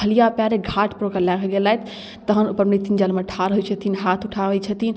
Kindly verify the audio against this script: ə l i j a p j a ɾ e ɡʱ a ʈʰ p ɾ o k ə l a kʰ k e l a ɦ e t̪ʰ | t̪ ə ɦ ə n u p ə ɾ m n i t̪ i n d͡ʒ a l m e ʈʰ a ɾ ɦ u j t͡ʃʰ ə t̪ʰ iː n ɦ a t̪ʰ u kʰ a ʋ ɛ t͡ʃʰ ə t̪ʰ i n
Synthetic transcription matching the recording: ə l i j a p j a ɾ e ɡʱ a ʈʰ p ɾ o k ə l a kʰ ɡ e l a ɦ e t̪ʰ | t̪ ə ɦ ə n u p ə ɾ m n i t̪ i n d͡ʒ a l m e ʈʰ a ɾ ɦ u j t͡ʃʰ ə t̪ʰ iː n ɦ a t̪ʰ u ʈʰ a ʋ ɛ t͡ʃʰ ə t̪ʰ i n